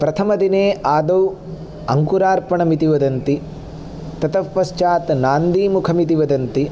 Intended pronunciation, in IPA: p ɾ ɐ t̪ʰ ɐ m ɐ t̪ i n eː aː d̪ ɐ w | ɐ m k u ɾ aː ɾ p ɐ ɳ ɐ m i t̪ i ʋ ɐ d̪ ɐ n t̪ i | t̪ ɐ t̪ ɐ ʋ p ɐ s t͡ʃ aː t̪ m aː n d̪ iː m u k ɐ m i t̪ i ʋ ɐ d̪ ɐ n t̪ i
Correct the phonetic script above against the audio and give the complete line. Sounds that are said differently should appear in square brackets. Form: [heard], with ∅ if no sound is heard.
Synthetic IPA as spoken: p ɾ ɐ t̪ʰ ɐ m ɐ [d̪] i n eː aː d̪ ɐ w | ɐ [ŋ] k u ɾ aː ɾ p ɐ ɳ ɐ m i t̪ i ʋ ɐ d̪ ɐ n t̪ i | t̪ ɐ t̪ ɐ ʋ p ɐ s t͡ʃ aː t̪ [n] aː n d̪ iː m u [kʰ] ɐ m i t̪ i ʋ ɐ d̪ ɐ n t̪ i